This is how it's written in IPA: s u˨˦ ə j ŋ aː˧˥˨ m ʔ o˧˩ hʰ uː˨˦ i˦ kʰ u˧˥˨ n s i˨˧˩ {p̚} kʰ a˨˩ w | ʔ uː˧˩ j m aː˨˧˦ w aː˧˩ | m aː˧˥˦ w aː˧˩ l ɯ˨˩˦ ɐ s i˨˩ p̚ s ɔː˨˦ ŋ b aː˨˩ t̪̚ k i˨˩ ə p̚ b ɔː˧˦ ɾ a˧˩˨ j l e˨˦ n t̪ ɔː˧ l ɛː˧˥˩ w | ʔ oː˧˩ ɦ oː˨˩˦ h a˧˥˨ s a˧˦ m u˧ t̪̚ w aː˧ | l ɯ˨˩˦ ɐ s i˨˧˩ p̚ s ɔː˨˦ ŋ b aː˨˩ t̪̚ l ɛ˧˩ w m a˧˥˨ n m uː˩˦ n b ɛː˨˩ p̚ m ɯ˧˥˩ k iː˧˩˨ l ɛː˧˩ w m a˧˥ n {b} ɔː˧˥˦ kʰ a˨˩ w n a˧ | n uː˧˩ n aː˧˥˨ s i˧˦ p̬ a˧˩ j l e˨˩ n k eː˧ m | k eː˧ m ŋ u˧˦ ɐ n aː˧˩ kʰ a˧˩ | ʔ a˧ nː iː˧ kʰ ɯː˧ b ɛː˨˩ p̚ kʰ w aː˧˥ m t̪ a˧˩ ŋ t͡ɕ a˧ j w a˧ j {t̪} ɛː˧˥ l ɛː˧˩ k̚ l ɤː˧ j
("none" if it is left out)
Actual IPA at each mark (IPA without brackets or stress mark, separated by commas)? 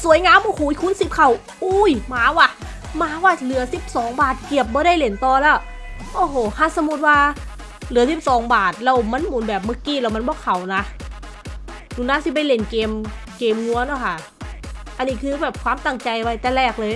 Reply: p̚, b, t̪